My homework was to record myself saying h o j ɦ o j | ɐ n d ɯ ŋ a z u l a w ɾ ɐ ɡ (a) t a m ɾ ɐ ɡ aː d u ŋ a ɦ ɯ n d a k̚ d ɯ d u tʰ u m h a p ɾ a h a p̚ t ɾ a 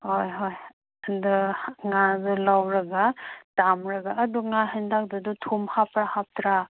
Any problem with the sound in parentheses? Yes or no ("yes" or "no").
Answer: no